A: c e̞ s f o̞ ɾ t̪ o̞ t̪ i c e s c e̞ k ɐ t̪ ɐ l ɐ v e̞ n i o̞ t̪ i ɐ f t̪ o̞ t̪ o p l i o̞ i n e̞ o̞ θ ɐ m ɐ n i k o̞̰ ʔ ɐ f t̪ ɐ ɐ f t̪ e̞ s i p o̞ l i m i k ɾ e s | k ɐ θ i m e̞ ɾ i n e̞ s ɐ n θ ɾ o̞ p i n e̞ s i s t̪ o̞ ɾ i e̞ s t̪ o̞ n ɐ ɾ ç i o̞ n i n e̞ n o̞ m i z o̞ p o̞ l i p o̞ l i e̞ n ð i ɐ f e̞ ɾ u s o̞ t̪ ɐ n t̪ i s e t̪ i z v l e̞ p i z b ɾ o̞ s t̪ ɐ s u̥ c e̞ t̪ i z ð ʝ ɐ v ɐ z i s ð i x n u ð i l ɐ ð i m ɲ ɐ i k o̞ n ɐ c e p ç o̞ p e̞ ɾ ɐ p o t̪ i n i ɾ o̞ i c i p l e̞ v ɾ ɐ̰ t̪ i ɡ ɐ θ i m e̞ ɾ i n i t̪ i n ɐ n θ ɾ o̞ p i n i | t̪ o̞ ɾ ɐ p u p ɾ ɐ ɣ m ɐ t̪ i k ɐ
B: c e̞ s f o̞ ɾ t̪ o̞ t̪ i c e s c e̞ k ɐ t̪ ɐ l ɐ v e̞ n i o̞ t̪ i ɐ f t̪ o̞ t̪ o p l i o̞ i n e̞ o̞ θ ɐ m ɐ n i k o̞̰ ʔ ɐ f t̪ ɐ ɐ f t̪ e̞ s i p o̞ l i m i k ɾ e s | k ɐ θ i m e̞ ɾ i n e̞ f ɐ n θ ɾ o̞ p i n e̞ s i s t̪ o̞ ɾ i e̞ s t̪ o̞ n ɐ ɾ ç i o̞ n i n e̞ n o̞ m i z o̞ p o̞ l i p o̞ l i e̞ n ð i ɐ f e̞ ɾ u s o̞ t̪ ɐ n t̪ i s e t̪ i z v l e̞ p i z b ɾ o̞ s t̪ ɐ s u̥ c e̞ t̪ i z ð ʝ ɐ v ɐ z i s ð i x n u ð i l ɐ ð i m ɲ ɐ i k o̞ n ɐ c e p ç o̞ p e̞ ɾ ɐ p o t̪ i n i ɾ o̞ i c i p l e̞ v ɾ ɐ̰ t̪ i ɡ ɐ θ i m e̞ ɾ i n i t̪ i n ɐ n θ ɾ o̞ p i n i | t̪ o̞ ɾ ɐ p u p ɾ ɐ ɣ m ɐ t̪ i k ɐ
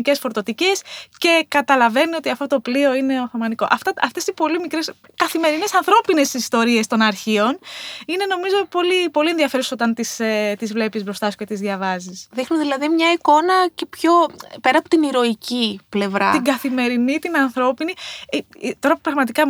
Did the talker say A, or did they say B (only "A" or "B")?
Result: A